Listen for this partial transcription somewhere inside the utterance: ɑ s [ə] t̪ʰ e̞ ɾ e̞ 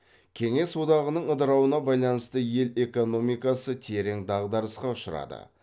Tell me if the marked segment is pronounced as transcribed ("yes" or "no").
yes